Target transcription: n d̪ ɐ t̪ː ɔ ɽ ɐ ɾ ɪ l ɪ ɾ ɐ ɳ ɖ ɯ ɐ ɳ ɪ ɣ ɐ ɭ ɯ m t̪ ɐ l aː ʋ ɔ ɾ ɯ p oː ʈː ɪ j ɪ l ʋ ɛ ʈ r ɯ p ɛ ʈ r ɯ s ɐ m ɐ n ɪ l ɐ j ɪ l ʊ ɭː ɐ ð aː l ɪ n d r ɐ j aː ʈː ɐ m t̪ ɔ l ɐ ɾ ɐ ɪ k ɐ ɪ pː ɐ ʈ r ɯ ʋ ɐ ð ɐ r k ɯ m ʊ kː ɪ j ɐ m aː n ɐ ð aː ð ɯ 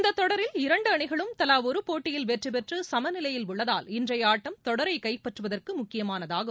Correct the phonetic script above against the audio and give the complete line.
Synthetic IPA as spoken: n d̪ ɐ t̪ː ɔ ɽ ɐ ɾ ɪ l ɪ ɾ ɐ ɳ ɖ ɯ ɐ ɳ ɪ ɣ ɐ ɭ ɯ m t̪ ɐ l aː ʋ ɔ ɾ ɯ p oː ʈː ɪ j ɪ l ʋ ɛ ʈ r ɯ p ɛ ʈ r ɯ s ɐ m ɐ n ɪ l ɐ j ɪ l ʊ ɭː ɐ ð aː l ɪ n d r ɐ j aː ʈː ɐ m t̪ ɔ ɽ ɐ ɾ ɐ ɪ k ɐ ɪ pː ɐ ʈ r ɯ ʋ ɐ ð ɐ r k ɯ m ʊ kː ɪ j ɐ m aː n ɐ ð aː ɣ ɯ